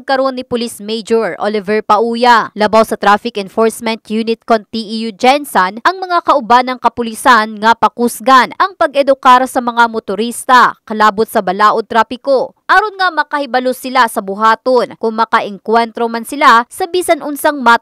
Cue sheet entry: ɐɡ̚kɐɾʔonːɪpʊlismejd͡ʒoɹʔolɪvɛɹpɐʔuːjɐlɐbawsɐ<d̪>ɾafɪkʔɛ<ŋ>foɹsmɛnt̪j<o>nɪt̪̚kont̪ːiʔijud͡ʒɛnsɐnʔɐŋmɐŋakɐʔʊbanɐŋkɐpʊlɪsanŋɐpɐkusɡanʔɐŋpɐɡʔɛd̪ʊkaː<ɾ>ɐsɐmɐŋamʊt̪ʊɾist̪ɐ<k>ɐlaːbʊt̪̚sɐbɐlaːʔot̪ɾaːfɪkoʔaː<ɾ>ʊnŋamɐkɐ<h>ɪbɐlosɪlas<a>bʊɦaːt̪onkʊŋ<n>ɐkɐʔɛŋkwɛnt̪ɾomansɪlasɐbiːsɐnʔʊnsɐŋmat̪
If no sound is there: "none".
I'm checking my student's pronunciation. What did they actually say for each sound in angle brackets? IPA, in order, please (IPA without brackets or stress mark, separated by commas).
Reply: t̪, n, u, ɾ, k, ɾ, h, ɐ, m